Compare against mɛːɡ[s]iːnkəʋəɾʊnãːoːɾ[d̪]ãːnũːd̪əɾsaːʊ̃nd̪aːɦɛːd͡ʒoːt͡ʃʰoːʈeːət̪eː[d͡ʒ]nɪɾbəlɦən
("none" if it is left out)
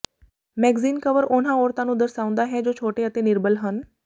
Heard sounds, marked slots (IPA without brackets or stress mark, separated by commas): z, t̪, none